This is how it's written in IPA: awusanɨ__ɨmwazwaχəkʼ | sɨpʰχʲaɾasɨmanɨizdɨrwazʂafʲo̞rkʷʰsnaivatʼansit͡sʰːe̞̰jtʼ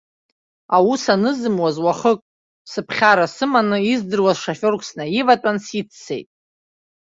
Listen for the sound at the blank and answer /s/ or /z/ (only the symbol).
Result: z